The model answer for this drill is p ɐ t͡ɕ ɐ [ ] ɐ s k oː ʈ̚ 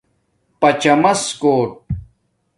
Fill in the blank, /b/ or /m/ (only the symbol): m